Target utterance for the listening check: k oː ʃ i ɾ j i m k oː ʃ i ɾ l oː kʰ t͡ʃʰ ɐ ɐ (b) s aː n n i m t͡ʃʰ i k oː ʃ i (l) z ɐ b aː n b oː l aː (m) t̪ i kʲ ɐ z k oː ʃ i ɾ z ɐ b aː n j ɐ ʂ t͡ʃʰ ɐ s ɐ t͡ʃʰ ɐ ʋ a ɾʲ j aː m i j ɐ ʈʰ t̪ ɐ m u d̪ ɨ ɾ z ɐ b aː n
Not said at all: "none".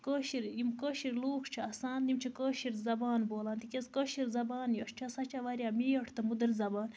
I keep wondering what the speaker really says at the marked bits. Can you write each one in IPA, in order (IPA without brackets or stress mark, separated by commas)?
none, ɾ, n